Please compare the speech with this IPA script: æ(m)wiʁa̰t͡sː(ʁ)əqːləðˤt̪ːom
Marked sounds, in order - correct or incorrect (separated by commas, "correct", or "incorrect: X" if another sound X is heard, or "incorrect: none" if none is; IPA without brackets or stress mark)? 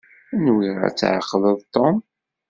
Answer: incorrect: n, incorrect: ʕ